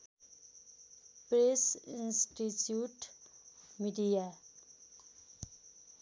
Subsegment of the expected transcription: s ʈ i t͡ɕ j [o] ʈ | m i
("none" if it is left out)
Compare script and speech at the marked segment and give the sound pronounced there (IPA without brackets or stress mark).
u